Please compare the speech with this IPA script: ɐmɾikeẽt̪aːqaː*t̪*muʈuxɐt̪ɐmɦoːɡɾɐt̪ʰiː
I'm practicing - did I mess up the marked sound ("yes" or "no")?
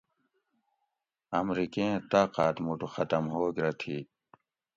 no